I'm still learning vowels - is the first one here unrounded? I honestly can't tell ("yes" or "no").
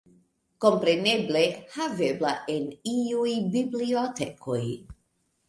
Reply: no